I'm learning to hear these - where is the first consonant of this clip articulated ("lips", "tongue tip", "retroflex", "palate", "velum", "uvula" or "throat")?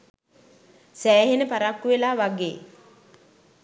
tongue tip